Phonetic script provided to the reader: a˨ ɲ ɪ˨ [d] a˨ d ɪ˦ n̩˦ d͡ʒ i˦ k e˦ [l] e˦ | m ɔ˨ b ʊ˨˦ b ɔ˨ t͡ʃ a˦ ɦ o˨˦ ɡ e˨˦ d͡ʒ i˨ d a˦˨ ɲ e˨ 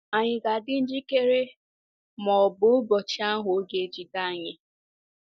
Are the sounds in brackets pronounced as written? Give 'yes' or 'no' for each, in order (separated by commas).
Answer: no, no